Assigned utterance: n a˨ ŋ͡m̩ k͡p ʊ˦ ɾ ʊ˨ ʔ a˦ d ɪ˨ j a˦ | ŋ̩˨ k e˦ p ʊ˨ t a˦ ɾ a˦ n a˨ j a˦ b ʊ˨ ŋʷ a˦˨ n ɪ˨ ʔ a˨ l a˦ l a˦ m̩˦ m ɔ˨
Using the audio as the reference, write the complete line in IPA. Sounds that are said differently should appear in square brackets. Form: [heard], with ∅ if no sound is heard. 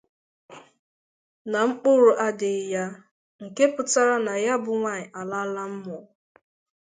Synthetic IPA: n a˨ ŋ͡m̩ k͡p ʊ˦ ɾ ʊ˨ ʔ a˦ d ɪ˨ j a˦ | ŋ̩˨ k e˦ p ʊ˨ t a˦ ɾ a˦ n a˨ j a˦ b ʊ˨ ŋʷ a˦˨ [ɲ] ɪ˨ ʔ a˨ l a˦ l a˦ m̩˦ m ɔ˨

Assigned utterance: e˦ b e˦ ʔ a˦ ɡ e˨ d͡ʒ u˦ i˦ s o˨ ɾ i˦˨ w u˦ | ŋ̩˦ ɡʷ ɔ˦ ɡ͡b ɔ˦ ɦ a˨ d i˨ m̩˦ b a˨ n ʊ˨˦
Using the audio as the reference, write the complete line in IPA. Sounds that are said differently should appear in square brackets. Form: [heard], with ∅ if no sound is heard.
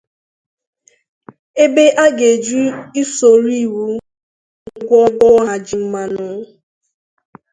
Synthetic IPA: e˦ b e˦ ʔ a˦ ɡ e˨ d͡ʒ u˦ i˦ s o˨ ɾ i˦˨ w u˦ | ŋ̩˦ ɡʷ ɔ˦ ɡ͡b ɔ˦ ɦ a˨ [d͡ʒ] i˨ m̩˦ [m] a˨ n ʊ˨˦

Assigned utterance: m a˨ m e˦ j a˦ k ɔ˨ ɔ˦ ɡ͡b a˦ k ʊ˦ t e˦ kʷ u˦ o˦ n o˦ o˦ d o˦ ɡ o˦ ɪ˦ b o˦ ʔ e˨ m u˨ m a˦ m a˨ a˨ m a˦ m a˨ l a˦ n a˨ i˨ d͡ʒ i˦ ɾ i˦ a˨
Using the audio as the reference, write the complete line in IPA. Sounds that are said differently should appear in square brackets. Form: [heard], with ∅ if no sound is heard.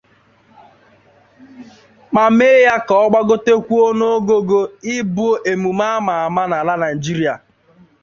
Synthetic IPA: m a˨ m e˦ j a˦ k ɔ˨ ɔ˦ ɡ͡b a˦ [ɡ] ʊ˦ t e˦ kʷ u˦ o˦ n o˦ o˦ [ɡ] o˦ ɡ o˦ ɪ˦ b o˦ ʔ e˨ m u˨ m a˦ m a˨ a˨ m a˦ [n] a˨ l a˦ n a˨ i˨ d͡ʒ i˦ ɾ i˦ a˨

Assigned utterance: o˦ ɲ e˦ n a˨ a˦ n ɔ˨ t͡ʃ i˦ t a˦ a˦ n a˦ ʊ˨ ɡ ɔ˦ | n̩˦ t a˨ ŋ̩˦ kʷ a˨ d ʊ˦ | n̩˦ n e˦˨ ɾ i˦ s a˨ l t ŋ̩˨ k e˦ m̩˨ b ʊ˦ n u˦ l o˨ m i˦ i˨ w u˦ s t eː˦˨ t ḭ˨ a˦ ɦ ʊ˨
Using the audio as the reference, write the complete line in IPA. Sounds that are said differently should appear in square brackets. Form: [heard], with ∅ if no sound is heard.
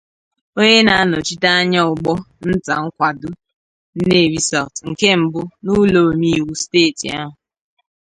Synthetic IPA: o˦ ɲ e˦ n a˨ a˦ n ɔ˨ t͡ʃ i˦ t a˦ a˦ [ɲ] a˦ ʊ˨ [ɡ͡b] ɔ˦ | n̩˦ t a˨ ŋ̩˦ kʷ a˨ d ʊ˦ | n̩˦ n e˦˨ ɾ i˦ s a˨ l t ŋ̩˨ k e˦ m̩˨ b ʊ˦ n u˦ l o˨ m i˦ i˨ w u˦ s t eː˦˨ t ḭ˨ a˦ ɦ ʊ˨

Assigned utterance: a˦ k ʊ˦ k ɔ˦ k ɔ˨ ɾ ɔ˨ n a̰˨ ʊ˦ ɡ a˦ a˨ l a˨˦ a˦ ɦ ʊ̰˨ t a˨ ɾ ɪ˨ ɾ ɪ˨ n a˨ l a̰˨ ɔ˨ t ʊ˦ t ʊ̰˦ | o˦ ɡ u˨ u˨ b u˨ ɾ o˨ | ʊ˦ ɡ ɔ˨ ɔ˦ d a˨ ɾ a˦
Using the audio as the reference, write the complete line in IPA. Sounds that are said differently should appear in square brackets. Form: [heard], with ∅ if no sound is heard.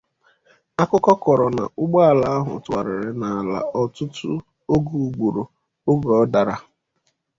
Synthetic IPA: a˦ k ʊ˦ k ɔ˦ k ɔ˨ ɾ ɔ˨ n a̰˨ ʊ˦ [ɡ͡b] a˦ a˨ l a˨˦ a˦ ɦ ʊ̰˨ t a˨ ɾ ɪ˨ ɾ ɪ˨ n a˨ l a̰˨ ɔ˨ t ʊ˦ t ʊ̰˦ | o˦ ɡ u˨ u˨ [ɡ͡b] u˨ ɾ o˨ | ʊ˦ ɡ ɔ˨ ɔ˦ d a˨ ɾ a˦

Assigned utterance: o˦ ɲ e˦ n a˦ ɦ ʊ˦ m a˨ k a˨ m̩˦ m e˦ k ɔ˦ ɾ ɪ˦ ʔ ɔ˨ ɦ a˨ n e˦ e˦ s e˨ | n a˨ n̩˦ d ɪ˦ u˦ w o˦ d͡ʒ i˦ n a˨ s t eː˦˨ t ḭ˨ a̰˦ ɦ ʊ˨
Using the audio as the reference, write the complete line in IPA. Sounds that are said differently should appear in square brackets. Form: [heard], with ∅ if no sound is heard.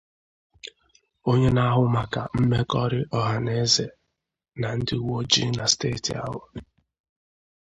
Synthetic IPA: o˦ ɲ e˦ n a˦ ɦ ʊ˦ m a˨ k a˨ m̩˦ m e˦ k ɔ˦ ɾ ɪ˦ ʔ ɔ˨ ɦ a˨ n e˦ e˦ [z] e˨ | n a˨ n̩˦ d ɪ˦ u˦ w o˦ d͡ʒ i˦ n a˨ s t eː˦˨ t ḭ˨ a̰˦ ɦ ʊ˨

